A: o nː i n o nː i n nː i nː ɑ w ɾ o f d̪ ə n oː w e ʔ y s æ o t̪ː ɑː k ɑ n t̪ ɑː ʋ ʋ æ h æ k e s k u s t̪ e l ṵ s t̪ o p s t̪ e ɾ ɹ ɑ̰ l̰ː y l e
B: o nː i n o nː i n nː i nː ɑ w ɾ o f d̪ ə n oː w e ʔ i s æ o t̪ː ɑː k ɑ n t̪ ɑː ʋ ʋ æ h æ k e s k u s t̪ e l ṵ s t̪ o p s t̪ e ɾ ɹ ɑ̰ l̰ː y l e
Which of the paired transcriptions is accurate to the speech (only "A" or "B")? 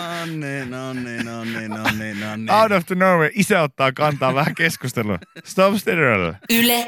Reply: B